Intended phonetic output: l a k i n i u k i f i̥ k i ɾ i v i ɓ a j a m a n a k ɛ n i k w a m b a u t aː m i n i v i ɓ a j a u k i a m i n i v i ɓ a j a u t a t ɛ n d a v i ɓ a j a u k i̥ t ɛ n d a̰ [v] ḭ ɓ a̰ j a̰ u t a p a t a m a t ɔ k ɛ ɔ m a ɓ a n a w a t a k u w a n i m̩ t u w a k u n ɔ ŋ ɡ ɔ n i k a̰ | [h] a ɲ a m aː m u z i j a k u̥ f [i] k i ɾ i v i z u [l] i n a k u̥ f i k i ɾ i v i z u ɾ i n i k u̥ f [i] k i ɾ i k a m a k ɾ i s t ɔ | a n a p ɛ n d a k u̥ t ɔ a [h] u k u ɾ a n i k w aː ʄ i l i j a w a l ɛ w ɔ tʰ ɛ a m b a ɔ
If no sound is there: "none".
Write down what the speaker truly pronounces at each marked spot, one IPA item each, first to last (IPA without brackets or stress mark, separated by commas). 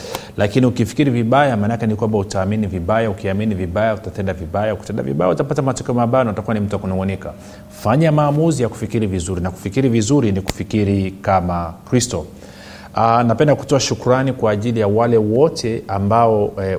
v, f, i, ɾ, i, ʃ